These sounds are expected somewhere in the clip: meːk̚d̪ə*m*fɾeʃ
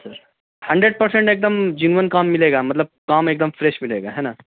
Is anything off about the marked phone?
no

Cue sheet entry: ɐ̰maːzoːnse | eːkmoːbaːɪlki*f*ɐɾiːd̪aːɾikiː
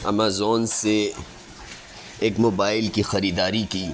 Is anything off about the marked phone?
yes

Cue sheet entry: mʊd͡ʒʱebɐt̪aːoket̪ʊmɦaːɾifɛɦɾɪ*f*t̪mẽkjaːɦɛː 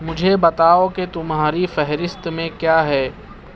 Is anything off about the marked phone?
yes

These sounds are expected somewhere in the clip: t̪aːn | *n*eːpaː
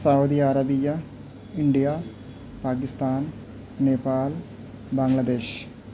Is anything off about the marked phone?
no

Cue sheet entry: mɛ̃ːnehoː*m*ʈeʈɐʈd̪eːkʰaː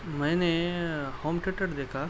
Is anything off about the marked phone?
no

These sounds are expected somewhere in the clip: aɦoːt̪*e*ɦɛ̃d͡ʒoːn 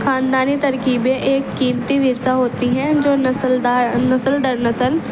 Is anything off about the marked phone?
yes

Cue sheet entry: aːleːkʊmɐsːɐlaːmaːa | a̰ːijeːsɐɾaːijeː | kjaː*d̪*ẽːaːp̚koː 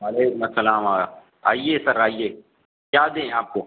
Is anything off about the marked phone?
no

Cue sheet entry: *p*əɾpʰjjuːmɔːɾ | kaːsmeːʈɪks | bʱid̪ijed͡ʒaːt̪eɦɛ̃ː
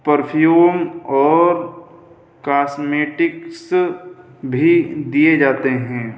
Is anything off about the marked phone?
no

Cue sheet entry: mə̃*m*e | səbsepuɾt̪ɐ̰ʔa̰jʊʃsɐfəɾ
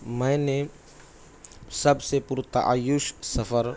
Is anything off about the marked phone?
yes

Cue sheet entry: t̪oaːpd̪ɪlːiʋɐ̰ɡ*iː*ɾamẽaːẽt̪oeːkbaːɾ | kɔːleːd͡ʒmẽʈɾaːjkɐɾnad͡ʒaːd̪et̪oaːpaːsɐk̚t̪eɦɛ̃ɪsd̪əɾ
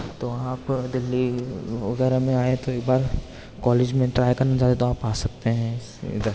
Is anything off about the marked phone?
yes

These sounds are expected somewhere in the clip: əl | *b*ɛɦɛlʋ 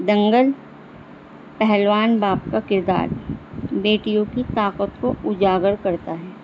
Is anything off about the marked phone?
yes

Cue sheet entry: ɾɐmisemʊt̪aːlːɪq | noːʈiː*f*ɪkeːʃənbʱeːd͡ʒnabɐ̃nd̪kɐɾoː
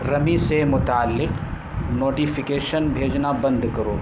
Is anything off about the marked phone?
no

